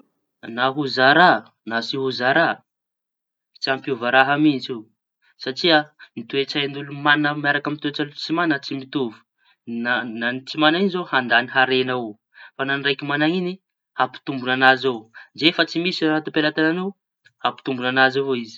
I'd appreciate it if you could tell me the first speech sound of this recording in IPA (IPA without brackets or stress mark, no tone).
n